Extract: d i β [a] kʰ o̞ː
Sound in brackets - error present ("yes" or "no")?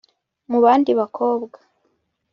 no